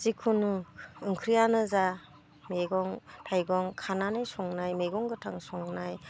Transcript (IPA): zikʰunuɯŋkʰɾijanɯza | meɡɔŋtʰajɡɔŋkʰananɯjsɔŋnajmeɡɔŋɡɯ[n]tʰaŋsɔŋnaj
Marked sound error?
yes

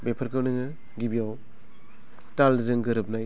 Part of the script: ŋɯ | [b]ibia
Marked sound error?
yes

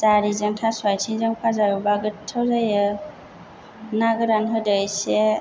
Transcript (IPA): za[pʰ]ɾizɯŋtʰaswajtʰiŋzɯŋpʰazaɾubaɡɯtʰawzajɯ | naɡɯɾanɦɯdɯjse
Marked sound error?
yes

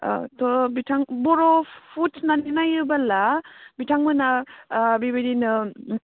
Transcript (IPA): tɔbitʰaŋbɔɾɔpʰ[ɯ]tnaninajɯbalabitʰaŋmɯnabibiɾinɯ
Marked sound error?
yes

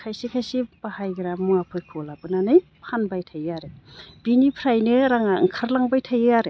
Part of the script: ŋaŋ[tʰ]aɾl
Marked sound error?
yes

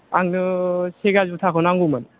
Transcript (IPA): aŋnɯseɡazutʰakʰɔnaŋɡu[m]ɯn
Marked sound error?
no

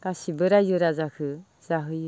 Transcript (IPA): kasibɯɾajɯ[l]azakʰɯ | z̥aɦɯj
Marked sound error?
yes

